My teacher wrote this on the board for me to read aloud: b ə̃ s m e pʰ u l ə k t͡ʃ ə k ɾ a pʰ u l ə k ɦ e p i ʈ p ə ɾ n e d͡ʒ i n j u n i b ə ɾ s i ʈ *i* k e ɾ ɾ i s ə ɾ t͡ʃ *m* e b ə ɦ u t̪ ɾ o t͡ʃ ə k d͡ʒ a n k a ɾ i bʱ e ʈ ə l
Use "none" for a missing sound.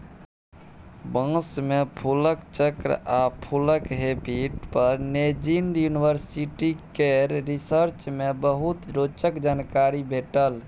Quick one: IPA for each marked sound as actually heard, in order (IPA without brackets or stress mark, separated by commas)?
i, m